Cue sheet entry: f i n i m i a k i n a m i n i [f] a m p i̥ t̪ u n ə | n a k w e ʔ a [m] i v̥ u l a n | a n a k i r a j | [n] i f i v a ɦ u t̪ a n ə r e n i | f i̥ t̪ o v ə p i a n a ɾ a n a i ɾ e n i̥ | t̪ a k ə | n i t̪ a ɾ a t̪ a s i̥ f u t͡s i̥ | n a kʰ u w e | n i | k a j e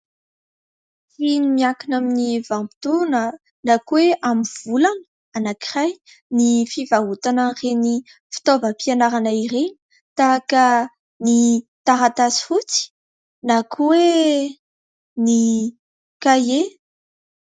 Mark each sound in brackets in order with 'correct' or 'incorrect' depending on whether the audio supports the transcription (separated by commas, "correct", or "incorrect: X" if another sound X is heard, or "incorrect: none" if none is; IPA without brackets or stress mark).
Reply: incorrect: v, correct, correct